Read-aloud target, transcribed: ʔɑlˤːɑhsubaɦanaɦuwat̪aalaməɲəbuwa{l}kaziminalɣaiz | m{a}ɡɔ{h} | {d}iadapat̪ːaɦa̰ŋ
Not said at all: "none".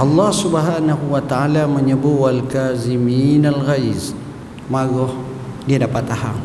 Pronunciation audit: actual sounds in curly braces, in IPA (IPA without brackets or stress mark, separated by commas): l, a, h, d